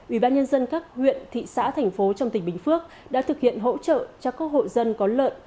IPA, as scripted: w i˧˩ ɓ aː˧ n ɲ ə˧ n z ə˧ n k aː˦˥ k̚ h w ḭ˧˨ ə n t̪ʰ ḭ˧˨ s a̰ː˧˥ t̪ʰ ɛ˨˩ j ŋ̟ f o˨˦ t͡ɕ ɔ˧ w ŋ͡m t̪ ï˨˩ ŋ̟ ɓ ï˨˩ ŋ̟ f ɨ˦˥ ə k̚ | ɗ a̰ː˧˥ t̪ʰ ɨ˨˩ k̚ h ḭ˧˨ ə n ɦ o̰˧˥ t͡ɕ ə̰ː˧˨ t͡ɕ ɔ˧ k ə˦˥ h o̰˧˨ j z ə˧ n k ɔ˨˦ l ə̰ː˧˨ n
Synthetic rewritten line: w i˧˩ ɓ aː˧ n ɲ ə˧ n z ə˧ n k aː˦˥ k̚ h w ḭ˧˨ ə n t̪ʰ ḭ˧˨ s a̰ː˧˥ t̪ʰ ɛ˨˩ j ŋ̟ f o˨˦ t͡ɕ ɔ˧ w ŋ͡m t̪ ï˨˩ ŋ̟ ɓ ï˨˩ ŋ̟ f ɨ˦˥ ə k̚ | ɗ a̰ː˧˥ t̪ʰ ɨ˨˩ k̚ h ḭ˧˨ ə n ɦ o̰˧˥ t͡ɕ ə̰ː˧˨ t͡ɕ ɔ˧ k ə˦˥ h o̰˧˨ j z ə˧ n k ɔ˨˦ l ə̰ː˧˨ n